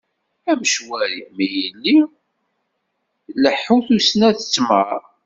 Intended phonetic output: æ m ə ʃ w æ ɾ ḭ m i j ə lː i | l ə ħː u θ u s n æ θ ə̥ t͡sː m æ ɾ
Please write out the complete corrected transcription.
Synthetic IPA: æ m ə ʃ w æ ɾ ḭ m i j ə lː i | l ə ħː u θ u s n æ θ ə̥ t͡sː m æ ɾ